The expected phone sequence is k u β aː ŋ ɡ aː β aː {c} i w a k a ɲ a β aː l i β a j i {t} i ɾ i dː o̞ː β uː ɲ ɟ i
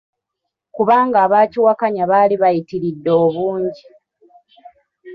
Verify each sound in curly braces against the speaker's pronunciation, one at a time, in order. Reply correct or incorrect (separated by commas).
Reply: correct, correct